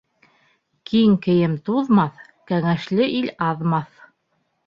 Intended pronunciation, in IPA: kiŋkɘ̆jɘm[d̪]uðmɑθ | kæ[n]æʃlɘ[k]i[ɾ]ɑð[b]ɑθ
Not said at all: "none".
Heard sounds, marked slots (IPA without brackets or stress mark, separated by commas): t̪, ŋ, ʔ, l, m